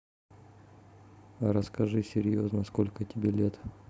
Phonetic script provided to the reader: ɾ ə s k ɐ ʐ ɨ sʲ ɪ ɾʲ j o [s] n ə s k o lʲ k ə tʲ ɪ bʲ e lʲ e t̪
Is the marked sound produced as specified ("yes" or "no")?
no